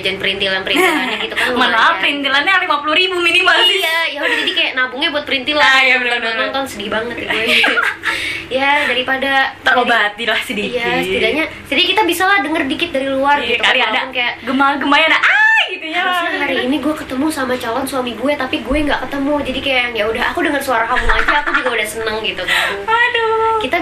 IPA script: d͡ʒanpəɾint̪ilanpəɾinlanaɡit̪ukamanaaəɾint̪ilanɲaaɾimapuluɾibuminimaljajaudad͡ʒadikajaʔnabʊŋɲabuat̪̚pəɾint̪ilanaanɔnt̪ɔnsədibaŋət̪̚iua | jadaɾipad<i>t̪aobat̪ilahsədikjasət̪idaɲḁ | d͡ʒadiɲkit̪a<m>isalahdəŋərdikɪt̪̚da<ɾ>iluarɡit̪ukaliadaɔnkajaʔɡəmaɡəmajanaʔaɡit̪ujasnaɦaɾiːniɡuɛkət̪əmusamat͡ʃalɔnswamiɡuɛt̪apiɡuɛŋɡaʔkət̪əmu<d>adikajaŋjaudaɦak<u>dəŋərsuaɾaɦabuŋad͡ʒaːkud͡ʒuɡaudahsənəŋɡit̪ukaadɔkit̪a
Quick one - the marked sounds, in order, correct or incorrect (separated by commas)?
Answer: incorrect, incorrect, correct, incorrect, correct